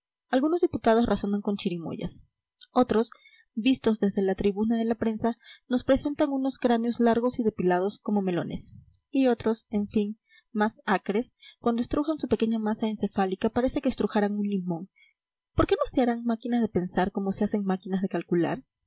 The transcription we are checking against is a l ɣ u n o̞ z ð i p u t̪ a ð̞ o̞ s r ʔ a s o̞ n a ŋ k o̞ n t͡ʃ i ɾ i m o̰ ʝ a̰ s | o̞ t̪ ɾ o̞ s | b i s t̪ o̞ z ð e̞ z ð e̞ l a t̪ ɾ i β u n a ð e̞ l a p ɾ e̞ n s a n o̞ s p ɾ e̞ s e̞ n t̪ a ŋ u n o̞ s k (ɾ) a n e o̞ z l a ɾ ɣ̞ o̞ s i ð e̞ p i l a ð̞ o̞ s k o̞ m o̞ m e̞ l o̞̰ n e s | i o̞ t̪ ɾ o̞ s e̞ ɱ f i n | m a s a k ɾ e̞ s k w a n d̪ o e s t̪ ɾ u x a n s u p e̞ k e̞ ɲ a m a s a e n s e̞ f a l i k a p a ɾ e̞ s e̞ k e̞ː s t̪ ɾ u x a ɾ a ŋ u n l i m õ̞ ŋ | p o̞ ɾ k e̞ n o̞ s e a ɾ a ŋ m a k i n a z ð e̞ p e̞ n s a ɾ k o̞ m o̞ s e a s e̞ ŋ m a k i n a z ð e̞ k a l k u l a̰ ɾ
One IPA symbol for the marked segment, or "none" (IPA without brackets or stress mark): ɾ